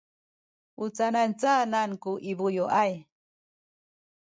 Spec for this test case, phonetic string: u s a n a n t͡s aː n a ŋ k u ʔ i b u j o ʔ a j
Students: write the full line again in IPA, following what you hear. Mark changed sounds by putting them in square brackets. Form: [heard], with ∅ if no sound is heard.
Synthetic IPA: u [t͡s] a n a n t͡s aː n a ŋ k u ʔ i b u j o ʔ a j